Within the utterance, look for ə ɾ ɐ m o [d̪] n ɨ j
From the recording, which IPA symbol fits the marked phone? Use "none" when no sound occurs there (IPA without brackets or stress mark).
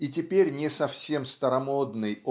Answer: d̪